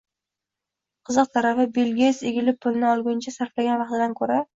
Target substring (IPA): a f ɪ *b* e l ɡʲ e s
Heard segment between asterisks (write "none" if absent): b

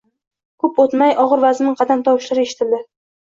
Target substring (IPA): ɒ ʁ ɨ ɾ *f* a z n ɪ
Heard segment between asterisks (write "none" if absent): v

